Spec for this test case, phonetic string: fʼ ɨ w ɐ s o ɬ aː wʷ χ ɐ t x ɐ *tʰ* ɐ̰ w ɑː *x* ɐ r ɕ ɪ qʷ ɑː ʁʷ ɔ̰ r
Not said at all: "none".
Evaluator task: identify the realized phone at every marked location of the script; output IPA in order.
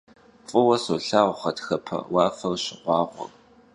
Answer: pʰ, f

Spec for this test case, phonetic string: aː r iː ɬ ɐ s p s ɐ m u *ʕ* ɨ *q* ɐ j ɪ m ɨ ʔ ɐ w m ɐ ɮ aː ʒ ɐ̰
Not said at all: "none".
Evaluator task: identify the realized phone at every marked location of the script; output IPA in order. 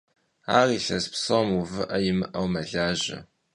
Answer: v, ʔ

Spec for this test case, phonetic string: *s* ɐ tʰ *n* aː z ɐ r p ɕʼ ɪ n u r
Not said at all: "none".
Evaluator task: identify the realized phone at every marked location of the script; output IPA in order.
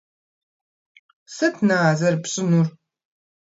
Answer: s, n

